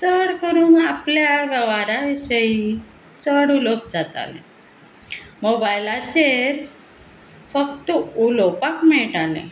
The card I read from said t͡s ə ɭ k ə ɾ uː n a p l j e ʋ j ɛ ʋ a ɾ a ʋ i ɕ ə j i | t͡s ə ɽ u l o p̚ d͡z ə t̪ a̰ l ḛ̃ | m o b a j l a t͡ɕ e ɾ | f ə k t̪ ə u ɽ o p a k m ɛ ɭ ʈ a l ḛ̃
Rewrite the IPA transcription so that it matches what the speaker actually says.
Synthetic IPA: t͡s ə ɽ k ə ɾ uː n a p l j a ʋ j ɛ ʋ a ɾ a ʋ i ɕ ə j i | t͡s ə ɽ u l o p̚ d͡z a t̪ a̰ l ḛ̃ | m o b a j l a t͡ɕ e ɾ | f ə k t̪ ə u l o p a k m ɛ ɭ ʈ a l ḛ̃